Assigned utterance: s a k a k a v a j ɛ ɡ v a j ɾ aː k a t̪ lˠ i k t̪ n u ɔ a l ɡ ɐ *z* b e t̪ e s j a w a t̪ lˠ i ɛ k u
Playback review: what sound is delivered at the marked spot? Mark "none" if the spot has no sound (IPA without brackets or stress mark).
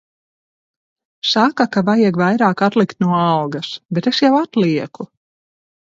s